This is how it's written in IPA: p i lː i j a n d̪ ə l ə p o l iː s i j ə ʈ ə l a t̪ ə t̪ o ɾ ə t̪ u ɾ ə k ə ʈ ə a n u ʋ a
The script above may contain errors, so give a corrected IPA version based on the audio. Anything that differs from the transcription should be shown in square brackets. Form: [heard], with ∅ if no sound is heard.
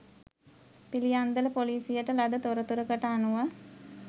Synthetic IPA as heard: p i [l] i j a n d̪ ə l ə p o l iː s i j ə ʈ ə l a [d̪] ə t̪ o ɾ ə t̪ u ɾ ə k ə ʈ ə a n u ʋ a